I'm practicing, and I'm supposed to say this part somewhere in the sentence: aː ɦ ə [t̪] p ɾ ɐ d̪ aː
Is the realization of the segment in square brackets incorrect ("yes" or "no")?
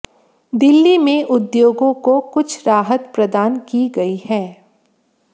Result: no